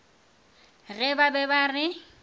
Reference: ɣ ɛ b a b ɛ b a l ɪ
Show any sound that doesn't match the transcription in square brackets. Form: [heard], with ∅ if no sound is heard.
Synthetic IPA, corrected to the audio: ɣ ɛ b a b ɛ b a [r] ɪ